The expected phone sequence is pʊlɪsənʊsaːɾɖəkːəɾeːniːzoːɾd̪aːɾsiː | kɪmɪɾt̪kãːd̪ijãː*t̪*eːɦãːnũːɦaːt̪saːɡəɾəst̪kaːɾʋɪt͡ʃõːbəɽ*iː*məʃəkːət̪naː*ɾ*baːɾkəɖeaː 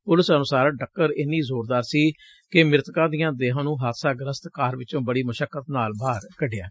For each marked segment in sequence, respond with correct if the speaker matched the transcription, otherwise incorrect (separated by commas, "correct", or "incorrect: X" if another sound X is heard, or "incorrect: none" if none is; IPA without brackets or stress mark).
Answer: incorrect: d̪, correct, incorrect: l